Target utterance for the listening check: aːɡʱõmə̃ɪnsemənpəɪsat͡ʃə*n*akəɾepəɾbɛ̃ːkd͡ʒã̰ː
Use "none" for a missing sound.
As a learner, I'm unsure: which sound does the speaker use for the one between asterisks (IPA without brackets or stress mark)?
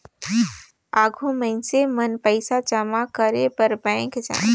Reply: m